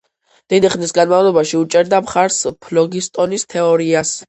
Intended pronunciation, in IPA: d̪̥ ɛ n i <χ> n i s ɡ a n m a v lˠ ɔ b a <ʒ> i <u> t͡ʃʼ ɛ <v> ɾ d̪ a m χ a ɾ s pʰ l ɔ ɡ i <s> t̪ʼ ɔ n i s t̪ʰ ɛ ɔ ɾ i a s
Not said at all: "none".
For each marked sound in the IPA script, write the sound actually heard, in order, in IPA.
χ, ʃ, u, none, s

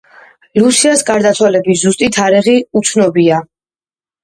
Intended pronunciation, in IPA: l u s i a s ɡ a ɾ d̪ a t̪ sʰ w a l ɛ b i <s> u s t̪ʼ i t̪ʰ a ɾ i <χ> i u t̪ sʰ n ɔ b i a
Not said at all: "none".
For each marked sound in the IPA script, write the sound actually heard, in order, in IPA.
z, ʁ

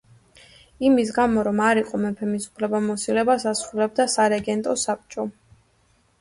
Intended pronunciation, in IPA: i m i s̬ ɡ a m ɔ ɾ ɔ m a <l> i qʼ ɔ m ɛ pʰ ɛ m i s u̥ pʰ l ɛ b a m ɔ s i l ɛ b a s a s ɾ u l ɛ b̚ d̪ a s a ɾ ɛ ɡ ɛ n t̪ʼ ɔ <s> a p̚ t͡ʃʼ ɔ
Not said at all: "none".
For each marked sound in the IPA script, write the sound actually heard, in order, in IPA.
ɾ, s

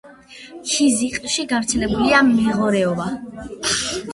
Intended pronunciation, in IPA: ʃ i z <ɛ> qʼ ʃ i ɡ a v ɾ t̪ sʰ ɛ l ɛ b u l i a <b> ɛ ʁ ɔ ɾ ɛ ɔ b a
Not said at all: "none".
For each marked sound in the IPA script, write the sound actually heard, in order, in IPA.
i, m

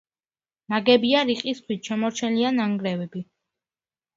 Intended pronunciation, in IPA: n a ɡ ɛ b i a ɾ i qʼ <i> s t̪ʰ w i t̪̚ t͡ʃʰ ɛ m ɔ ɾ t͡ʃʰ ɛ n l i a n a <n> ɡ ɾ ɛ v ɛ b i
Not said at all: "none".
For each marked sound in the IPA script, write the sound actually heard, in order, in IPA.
i, ŋ

